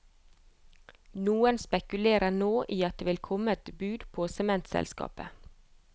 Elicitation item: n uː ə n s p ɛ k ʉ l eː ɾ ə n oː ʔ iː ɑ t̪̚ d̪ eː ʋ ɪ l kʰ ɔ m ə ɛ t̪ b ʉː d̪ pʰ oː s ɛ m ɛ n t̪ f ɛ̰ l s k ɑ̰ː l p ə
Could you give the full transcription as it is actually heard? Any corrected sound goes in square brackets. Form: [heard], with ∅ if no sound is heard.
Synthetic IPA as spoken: n uː ə n s p ɛ k ʉ l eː ɾ ə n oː ʔ iː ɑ t̪̚ d̪ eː ʋ ɪ l kʰ ɔ m ə ɛ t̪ b ʉː d̪ pʰ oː s ɛ m ɛ n t̪ [s] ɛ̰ l s k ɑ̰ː [∅] p ə